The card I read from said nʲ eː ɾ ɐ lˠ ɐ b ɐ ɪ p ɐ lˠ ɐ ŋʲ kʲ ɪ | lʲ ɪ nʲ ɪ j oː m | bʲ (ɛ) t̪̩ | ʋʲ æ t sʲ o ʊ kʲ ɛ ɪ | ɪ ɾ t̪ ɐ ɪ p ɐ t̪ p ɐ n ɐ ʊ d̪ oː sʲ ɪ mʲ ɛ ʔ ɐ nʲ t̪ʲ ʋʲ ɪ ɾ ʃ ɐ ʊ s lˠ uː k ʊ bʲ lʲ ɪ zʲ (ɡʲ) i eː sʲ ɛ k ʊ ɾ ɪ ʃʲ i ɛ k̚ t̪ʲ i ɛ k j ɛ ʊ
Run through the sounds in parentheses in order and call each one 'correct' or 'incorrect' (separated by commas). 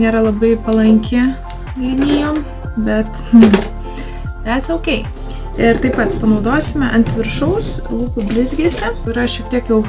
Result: correct, correct